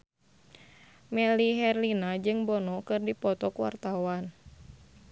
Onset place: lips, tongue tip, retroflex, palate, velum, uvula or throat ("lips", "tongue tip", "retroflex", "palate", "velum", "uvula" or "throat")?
lips